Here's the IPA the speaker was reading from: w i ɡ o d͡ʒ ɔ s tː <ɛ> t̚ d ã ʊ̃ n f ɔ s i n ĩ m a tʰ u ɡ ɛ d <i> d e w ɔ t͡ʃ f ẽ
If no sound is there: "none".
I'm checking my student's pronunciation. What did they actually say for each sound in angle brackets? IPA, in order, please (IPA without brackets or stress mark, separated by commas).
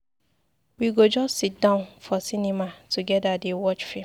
i, a